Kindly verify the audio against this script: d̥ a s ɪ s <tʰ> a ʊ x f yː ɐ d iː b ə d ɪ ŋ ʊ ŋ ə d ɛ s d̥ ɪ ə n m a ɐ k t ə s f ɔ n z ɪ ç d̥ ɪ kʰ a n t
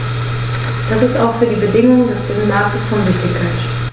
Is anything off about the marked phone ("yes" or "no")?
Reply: yes